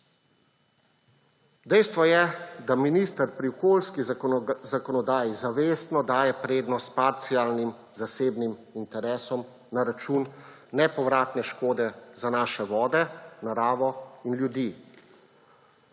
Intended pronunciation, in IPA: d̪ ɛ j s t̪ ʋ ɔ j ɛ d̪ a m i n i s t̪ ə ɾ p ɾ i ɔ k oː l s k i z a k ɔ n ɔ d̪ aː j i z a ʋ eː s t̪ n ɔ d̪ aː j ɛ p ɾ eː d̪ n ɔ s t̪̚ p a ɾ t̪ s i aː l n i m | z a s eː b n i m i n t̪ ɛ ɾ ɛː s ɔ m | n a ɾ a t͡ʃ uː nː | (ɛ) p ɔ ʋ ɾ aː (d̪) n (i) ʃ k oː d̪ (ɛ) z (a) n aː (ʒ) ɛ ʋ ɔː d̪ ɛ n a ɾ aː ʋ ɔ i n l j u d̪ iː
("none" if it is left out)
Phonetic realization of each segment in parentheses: ɛ, t̪, ɛ, ɛ, a, ʃ

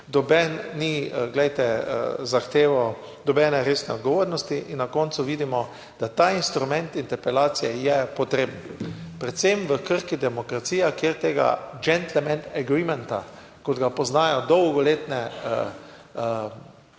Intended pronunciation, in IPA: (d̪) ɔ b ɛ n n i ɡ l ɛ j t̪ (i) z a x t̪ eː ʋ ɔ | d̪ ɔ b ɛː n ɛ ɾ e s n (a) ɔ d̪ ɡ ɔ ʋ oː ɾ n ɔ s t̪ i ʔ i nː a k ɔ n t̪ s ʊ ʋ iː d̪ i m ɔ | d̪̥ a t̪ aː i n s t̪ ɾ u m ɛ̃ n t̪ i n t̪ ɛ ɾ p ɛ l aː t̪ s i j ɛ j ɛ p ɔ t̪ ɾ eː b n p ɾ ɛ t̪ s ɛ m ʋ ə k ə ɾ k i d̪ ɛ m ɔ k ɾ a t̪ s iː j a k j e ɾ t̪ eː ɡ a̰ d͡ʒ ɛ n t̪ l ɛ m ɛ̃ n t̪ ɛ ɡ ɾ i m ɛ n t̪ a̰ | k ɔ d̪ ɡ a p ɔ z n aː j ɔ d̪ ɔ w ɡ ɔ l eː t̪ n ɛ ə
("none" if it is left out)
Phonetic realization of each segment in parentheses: d̪, ɛ, ɛ

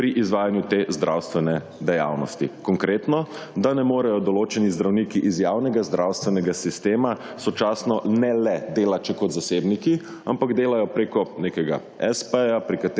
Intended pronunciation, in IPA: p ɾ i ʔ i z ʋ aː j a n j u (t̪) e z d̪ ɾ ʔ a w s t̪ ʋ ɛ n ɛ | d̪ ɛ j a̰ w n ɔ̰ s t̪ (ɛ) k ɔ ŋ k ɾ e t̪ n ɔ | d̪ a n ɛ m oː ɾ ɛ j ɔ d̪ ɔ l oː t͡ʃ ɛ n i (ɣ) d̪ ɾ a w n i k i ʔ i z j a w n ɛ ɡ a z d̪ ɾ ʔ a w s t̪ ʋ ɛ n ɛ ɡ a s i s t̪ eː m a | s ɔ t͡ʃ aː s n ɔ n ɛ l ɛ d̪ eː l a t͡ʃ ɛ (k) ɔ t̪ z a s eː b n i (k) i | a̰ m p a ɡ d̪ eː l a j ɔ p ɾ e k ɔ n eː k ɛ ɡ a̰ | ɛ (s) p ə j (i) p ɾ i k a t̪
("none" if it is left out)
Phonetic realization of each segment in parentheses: t̪, i, z, k, k, s, a

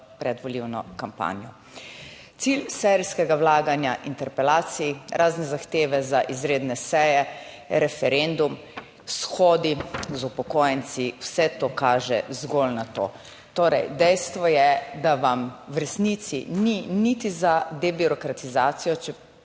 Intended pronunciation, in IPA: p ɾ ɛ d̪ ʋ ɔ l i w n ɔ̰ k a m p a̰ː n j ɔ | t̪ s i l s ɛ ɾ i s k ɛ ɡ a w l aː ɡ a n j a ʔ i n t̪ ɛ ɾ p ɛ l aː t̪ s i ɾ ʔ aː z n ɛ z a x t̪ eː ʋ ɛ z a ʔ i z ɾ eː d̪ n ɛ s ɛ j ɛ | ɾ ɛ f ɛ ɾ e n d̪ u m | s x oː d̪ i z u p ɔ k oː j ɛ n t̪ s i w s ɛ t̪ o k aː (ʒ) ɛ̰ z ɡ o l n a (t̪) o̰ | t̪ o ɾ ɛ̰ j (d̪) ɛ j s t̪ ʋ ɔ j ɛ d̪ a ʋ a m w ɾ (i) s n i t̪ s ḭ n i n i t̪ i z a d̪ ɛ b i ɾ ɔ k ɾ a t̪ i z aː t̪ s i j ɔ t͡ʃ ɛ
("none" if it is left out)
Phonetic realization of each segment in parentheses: ʒ, t̪, d̪, ɛ

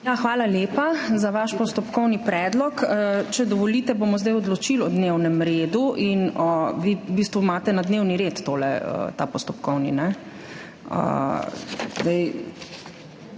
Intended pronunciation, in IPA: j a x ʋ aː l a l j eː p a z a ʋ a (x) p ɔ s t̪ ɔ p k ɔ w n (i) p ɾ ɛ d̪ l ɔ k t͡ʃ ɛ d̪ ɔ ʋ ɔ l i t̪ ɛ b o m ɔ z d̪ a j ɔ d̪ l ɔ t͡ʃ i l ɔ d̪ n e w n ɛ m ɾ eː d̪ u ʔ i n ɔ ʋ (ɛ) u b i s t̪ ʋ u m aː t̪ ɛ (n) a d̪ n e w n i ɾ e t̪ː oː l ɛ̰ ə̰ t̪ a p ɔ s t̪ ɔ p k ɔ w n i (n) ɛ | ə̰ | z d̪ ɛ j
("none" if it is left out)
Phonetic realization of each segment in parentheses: ʃ, i, i, n, n

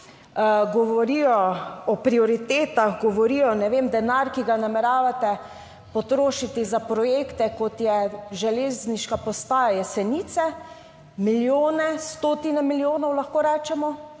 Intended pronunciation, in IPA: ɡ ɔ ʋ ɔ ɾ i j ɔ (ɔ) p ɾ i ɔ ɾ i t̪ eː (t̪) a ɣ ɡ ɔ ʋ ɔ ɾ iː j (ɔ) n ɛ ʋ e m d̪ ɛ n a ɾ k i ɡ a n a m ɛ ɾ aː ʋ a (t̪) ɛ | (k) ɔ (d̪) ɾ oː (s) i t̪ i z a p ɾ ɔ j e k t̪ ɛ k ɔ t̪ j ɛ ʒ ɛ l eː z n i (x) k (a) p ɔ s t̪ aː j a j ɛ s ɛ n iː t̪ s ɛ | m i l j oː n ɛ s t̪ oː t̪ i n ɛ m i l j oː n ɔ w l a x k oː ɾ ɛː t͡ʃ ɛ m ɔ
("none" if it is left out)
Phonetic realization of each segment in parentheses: ɔ, t̪, ɔ, t̪, p, t̪, ʃ, ʃ, a

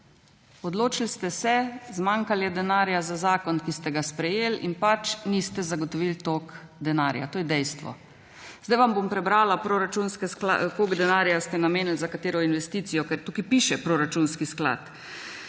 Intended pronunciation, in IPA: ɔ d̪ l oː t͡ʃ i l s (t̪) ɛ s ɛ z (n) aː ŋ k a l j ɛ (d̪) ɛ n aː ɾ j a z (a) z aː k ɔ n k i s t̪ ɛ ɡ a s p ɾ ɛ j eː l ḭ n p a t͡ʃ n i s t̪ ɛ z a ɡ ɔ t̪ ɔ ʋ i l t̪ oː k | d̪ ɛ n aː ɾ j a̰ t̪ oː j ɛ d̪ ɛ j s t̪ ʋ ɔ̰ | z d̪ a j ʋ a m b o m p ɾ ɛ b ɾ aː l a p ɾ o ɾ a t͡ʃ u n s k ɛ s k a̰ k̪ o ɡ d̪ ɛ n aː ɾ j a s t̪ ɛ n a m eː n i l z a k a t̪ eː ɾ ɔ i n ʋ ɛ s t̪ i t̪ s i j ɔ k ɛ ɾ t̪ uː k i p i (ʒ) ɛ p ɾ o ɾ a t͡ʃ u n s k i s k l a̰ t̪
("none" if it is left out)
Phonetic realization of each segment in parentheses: t̪, m, d̪, a, ʃ

